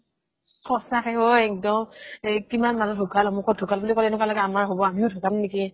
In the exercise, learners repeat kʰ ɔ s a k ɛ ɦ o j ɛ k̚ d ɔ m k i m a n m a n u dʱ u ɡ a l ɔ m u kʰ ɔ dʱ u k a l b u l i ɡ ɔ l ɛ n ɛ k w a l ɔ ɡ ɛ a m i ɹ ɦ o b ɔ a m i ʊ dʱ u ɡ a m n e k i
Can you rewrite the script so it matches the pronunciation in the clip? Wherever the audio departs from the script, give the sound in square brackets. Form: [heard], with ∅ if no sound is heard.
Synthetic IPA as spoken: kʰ ɔ s a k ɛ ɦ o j ɛ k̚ d ɔ m k i m a n m a n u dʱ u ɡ a l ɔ m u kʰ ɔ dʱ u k a l b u l i [k] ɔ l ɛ n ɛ k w a l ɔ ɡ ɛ a m [a] ɹ ɦ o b ɔ a m i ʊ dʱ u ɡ a m n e k i